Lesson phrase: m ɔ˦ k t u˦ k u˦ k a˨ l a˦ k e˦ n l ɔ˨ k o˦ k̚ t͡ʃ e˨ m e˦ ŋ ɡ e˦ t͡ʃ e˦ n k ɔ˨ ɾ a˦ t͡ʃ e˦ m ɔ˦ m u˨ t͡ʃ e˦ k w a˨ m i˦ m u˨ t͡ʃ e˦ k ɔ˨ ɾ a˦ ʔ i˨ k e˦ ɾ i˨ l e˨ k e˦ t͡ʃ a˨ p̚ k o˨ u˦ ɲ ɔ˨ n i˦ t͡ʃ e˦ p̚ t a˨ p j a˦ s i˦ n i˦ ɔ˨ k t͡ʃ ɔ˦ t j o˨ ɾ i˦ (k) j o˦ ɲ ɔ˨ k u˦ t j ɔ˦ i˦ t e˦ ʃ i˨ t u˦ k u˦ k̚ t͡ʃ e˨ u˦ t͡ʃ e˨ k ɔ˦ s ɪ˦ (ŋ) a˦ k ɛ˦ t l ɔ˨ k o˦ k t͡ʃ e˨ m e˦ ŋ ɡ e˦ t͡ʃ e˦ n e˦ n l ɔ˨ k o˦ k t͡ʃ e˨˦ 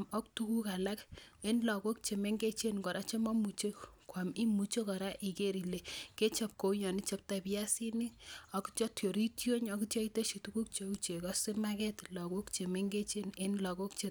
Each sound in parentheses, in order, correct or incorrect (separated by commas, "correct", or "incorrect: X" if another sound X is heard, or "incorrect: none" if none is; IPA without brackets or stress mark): incorrect: t, incorrect: m